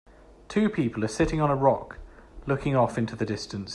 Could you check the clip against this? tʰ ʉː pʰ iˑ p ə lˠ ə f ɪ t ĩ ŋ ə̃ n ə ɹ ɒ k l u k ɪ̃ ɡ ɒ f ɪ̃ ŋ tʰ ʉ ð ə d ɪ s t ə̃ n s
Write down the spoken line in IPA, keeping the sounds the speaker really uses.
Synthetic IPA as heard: tʰ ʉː pʰ iˑ p ə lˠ ə s ɪ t ɪ̃ ŋ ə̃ n ə ɹ ɒ k l ʊ k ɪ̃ ŋ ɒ f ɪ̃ n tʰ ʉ ð ə d ɪ s t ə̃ n s